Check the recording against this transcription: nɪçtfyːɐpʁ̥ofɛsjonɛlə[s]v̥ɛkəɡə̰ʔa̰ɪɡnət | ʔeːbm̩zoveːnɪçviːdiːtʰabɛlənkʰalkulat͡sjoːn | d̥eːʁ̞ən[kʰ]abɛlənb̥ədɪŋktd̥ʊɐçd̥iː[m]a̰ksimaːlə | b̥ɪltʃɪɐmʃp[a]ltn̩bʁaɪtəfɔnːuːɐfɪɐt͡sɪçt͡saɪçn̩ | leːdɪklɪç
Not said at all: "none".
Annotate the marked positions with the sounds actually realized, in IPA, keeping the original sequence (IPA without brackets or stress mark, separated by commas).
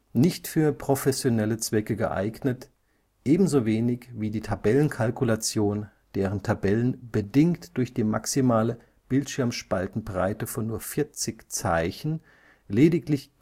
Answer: t͡s, tʰ, m, a